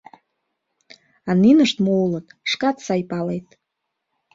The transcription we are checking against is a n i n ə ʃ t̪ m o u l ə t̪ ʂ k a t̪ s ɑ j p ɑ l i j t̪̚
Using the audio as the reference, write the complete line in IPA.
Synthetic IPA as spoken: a n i n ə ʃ t̪ m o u l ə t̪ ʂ k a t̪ s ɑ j p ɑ l e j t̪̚

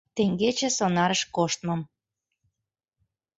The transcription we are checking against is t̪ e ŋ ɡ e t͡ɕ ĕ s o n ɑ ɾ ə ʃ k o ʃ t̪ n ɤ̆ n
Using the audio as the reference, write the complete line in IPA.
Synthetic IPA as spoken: t̪ e ŋ ɡ e t͡ɕ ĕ s o n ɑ ɾ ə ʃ k o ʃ t̪ m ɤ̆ m

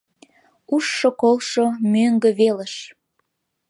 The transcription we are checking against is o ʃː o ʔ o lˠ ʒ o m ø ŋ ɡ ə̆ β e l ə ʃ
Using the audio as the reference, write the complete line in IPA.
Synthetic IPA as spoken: u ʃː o k o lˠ ʃ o m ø ŋ ɡ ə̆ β e l ə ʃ

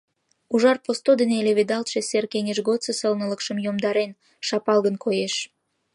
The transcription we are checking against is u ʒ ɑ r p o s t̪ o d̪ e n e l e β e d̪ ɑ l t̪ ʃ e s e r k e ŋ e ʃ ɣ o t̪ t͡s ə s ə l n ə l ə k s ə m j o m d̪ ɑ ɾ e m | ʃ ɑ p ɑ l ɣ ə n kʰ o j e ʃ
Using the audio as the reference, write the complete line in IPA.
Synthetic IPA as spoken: u ʒ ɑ r p o s t̪ o d̪ e n e l e β e d̪ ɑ l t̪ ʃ e s e r k e ŋ e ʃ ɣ o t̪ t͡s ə s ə l n ə l ə k ʃ ə m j o m d̪ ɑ ɾ e n | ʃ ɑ p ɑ l ɣ ə n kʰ o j e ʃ

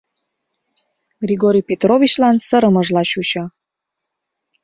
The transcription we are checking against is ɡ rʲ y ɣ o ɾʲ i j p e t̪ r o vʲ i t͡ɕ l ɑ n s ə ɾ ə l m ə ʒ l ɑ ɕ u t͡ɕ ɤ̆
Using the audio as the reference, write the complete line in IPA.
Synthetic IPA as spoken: ɡ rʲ i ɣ o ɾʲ i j p e t̪ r o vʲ i t͡ɕ l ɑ n s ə ɾ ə m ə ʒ l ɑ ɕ u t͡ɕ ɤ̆

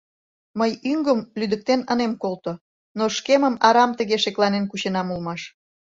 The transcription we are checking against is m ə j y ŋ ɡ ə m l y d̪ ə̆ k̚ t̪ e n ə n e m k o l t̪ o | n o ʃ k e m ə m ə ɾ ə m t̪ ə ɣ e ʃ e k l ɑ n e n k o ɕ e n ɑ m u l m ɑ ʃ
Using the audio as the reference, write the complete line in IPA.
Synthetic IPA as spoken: m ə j y ŋ ɡ ə m l y d̪ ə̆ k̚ t̪ e n ə n e m k o l t̪ o | n o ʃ k e m ə m ɑ ɾ ɑ m t̪ ə ɣ e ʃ e k l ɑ n e n k u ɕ e n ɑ m u l m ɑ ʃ

